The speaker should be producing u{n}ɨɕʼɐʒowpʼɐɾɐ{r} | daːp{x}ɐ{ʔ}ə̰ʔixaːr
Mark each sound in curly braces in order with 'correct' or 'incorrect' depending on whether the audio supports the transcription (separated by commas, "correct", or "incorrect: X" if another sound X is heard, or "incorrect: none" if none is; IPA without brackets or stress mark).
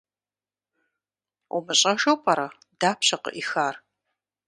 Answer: incorrect: m, incorrect: none, incorrect: ɕ, incorrect: q